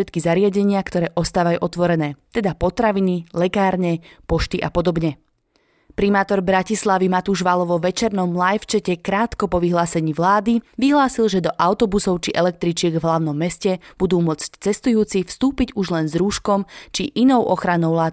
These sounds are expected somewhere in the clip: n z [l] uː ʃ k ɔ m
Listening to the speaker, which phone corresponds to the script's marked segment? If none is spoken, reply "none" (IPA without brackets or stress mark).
ɾ